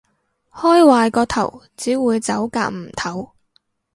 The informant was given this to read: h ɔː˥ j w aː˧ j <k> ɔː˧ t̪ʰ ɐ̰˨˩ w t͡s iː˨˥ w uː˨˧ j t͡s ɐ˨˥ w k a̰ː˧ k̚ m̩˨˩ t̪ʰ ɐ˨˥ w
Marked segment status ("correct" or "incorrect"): correct